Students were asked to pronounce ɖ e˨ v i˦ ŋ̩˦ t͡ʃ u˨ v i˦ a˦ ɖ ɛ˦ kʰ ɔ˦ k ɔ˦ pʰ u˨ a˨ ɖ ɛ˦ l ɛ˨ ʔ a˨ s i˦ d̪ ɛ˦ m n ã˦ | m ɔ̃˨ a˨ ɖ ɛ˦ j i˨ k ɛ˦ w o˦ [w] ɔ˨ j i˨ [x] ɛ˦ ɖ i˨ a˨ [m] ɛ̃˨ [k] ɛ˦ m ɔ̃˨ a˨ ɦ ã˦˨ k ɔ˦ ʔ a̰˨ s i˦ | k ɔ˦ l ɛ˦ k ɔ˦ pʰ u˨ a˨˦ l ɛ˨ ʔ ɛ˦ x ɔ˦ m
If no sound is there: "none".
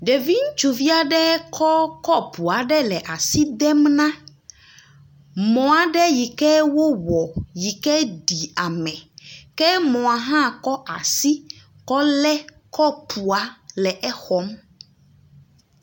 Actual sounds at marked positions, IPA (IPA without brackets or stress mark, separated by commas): w, k, m, k